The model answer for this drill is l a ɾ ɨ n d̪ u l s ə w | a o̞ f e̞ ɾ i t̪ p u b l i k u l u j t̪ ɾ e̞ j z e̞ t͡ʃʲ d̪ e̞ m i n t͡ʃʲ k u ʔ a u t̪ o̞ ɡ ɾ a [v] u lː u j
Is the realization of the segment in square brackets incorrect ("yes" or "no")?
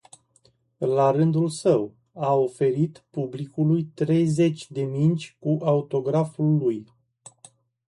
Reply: yes